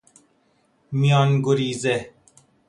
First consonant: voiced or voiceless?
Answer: voiced